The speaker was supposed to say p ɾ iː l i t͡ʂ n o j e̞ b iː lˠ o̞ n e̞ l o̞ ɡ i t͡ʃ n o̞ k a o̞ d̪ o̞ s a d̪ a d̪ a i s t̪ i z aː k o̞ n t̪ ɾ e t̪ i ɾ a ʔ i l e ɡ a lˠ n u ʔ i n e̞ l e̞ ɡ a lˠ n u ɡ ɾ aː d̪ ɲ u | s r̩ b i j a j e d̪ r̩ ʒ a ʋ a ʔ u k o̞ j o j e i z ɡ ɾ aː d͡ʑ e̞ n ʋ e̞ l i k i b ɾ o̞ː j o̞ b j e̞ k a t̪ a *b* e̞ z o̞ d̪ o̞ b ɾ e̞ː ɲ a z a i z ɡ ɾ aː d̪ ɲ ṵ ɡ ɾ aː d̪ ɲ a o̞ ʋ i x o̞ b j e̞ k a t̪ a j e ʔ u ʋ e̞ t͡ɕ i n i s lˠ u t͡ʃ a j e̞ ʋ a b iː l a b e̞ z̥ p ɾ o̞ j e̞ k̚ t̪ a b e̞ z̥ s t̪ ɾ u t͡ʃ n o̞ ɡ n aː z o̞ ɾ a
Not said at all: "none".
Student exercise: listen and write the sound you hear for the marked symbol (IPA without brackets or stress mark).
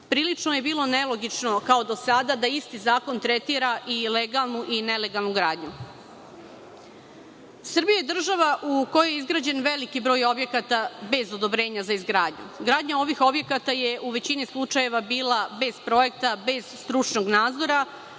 b